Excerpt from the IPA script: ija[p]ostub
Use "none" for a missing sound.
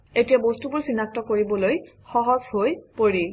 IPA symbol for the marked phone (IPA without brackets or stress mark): b